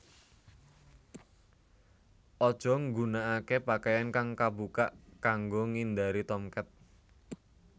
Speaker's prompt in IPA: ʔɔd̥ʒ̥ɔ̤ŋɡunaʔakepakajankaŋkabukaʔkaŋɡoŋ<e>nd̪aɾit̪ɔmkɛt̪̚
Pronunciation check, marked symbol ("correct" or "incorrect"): incorrect